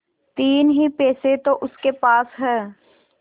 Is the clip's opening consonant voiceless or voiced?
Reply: voiceless